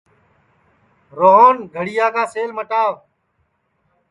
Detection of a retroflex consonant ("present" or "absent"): present